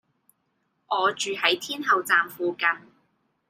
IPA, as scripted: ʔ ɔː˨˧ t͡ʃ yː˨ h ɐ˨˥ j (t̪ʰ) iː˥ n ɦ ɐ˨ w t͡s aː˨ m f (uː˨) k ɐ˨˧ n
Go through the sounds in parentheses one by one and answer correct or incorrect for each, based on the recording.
correct, correct

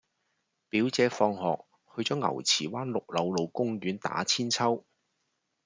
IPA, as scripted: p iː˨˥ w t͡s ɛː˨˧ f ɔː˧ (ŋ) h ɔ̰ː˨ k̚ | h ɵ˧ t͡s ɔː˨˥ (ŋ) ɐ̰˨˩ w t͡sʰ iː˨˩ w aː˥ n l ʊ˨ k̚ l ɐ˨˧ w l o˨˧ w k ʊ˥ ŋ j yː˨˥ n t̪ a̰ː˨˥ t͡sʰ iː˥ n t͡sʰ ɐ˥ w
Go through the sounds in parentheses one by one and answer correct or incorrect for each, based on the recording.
correct, correct

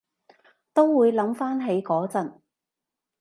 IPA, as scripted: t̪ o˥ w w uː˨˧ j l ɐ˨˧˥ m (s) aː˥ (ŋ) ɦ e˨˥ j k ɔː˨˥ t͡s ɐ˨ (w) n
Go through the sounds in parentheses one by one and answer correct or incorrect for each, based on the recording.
incorrect: f, incorrect: n, incorrect: none

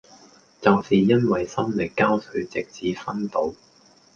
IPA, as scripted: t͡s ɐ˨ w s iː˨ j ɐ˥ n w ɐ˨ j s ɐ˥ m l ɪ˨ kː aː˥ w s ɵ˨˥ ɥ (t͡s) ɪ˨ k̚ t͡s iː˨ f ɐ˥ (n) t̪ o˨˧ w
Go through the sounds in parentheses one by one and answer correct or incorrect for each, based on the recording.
correct, correct

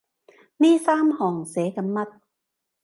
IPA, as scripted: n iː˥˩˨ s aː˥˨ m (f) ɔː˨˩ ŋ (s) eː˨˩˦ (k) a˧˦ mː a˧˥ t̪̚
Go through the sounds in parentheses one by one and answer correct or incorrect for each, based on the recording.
incorrect: h, correct, correct

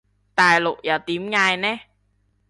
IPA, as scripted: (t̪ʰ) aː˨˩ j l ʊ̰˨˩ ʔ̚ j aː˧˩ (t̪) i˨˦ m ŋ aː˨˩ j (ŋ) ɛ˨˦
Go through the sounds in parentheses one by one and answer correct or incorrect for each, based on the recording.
incorrect: t̪, correct, incorrect: n

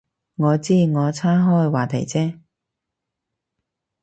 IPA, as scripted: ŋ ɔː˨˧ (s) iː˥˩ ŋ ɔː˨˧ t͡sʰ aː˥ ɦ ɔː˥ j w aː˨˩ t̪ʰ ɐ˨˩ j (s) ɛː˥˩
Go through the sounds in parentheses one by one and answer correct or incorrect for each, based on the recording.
incorrect: t͡s, incorrect: t͡s

